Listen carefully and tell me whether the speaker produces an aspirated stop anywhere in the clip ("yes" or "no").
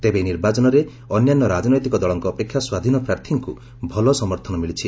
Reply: yes